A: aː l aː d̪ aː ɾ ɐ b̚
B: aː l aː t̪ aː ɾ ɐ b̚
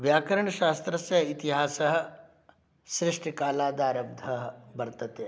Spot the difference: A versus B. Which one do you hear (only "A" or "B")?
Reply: A